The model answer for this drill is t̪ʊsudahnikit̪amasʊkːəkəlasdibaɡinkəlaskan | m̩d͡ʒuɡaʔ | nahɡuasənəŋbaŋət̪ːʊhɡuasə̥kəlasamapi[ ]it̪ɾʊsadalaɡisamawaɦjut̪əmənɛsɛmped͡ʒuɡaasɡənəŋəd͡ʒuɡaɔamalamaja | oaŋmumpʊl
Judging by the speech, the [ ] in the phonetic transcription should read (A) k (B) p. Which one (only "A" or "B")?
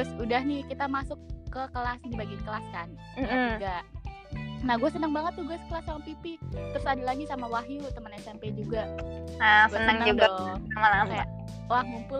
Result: B